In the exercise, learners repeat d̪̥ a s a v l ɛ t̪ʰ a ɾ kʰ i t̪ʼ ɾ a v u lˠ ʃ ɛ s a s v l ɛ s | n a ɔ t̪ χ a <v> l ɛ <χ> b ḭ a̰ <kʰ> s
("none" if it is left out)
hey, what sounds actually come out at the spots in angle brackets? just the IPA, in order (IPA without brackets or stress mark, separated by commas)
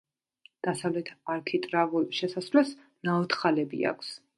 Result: none, none, kʰ